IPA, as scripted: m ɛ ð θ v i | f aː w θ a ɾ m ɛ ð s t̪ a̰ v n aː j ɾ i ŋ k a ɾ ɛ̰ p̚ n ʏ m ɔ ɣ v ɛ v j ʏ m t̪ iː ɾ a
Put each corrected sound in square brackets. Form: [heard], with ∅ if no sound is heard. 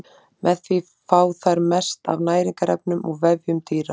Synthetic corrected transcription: m ɛ ð θ v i | f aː w θ a ɾ m ɛ [∅] s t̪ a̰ v n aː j ɾ i ŋ k a ɾ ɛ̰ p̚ n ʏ m ɔ ɣ v ɛ v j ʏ m t̪ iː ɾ a